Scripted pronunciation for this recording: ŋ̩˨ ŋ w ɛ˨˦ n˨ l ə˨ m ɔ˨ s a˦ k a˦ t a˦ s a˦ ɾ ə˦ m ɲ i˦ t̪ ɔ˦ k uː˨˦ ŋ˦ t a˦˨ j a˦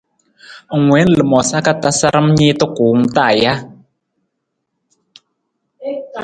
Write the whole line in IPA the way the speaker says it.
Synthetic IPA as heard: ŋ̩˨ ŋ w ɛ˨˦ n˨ l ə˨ m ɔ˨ s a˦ k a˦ t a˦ s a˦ ɾ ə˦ m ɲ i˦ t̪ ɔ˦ k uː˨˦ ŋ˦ t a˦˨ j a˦